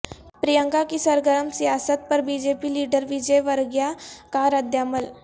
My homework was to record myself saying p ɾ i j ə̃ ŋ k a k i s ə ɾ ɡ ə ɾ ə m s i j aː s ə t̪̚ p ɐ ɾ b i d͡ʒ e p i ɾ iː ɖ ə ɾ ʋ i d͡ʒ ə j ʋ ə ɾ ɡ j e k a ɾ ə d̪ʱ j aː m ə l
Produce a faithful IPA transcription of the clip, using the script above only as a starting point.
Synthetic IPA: p ɾ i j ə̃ ŋ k a k i s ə ɾ ɡ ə ɾ ə m s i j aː s ə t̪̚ p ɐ ɾ b i d͡ʒ e p i l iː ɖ ə ɾ ʋ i d͡ʒ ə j ʋ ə ɾ ɡ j a k a ɾ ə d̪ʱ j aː m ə l

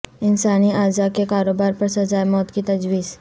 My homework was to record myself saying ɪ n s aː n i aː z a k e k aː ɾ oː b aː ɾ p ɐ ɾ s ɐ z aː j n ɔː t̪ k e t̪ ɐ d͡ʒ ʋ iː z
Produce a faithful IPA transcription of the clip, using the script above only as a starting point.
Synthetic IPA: ɪ n s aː n i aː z a k e k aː ɾ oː b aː ɾ p ɐ ɾ s ɐ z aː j m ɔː t̪ k i t̪ ɐ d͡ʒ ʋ iː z

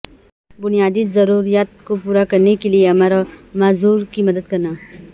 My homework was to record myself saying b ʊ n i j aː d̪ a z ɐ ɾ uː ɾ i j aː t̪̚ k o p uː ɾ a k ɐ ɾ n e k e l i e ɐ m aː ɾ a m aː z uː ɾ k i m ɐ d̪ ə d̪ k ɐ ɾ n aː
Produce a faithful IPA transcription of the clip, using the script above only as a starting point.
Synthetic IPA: b ʊ n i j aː d̪ i z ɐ ɾ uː ɾ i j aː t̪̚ k o p uː ɾ a k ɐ ɾ n e k e l i e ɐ m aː ɾ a m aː z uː ɾ k i m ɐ d̪ ə d̪ k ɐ ɾ n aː

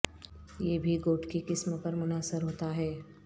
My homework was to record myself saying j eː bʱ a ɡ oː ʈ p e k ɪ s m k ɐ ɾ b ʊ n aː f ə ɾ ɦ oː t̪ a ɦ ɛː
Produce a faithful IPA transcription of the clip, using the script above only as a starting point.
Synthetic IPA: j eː bʱ i ɡ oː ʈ k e k ɪ s m p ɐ ɾ m ʊ n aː s ə ɾ ɦ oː t̪ a ɦ ɛː

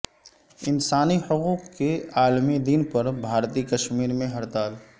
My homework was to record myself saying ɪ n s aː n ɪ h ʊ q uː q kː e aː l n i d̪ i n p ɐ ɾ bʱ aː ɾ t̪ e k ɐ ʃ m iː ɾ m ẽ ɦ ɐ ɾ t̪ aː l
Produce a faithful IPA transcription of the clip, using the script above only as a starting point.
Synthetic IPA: ɪ n s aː n i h ʊ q uː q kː e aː l m i d̪ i n p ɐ ɾ bʱ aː ɾ t̪ i k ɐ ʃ m iː ɾ m ẽ ɦ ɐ ɾ t̪ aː l

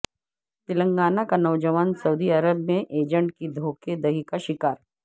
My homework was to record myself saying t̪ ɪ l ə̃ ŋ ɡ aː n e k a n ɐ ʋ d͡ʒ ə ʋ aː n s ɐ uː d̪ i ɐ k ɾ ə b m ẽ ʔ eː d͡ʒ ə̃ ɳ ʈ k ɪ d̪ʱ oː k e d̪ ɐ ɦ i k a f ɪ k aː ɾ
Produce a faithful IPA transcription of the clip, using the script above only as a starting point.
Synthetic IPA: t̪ ɪ l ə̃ ŋ ɡ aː n a k a n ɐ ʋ d͡ʒ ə ʋ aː n s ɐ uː d̪ i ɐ ɾ ə b m ẽ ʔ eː d͡ʒ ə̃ ɳ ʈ k i d̪ʱ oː k e d̪ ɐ ɦ i k a ʃ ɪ k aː ɾ

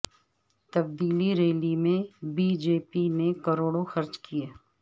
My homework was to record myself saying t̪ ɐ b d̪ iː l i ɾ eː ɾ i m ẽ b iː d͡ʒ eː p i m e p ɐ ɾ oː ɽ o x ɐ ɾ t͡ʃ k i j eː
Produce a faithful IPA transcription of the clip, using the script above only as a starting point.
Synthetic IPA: t̪ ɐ b d̪ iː l i ɾ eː l i m ẽ b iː d͡ʒ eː p i n e k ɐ ɾ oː ɽ o x ɐ ɾ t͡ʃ k i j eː

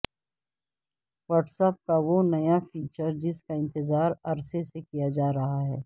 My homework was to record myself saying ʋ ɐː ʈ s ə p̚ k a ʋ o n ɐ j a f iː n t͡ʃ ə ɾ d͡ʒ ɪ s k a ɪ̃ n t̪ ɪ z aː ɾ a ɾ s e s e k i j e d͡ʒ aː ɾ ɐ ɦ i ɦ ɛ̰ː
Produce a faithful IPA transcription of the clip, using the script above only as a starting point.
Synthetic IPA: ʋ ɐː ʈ s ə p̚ k a ʋ o n ɐ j a f iː t͡ʃ ə ɾ d͡ʒ ɪ s k a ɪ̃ n t̪ ɪ z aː ɾ ɐ ɾ s e s e k i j a d͡ʒ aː ɾ ɐ ɦ a ɦ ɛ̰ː

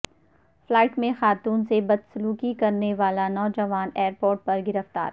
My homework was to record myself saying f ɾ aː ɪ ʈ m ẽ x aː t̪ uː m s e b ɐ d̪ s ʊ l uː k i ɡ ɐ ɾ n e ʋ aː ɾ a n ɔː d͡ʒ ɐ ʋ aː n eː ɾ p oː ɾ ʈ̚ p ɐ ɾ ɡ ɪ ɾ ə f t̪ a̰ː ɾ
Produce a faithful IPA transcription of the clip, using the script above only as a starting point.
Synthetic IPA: f l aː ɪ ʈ m ẽ x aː t̪ uː n s e b ɐ d̪ s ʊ l uː k i k ɐ ɾ n e ʋ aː l a n ɔː d͡ʒ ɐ ʋ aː n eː ɾ p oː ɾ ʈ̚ p ɐ ɾ ɡ ɪ ɾ ə f t̪ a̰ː ɾ

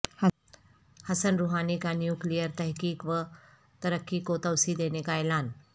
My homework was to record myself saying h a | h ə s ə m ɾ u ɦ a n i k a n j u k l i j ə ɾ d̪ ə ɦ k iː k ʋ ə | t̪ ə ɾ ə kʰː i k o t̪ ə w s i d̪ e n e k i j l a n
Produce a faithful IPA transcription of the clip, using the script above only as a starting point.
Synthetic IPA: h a | h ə s ə n ɾ u ɦ a n i k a n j u k l i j ə ɾ t̪ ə ɦ k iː k ʋ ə | t̪ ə ɾ ə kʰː i k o t̪ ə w s i d̪ e n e k a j l a n

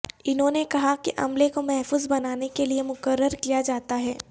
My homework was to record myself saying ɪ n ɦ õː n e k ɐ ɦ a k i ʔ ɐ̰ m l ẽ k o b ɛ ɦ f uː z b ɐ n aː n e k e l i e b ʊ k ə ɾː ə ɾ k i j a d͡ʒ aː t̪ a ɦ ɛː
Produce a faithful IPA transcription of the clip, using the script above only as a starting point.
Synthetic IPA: ɪ n ɦ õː n e k ɐ ɦ a k i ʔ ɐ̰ m l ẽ k o m ɛ ɦ f uː z b ɐ n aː n e k e l i e m ʊ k ə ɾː ə ɾ k i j a d͡ʒ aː t̪ a ɦ ɛː

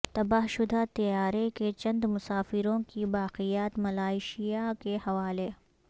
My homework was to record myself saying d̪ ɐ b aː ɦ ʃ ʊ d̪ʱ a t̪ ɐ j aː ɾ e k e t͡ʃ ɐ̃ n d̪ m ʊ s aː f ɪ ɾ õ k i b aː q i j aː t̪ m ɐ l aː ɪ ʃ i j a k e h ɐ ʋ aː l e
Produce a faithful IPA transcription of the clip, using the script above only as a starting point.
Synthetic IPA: t̪ ɐ b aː ɦ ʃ ʊ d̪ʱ a t̪ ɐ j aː ɾ e k e t͡ʃ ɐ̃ n d̪ m ʊ s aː f ɪ ɾ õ k i b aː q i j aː t̪ m ɐ l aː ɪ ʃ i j a k e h ɐ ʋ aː l e

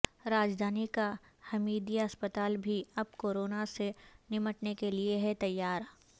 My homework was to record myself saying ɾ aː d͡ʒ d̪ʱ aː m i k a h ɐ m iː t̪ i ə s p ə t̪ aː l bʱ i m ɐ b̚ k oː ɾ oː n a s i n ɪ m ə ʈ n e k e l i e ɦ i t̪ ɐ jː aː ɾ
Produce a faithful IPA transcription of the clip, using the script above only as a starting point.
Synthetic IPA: ɾ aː d͡ʒ d̪ʱ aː n i k a h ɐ m iː d̪ i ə s p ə t̪ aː l bʱ i ɐ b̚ k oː ɾ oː n a s e n ɪ m ə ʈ n e k e l i e ɦ ɛ t̪ ɐ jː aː ɾ

